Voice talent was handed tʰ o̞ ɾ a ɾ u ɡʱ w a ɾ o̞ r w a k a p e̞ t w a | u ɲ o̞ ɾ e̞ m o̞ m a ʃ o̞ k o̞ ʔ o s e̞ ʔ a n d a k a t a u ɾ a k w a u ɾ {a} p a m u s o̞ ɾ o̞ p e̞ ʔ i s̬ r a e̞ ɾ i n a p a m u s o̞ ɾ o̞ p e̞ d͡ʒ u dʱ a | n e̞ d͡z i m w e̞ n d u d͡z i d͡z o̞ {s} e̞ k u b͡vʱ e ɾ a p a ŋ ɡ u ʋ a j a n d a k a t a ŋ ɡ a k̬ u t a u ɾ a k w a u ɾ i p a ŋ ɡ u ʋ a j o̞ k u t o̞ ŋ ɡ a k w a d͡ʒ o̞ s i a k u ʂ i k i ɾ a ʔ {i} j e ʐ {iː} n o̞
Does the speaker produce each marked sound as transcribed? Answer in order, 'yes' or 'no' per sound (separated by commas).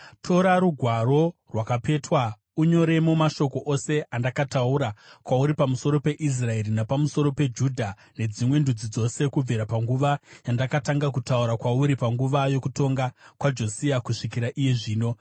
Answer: no, yes, yes, yes